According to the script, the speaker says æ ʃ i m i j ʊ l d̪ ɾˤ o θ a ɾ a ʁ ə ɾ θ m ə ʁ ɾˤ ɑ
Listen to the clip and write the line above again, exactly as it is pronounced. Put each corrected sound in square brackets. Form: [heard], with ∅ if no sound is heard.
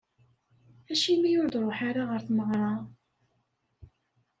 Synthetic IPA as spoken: æ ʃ i m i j ʊ [ɾ] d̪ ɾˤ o [ħ] a ɾ a ʁ ə ɾ θ m ə ʁ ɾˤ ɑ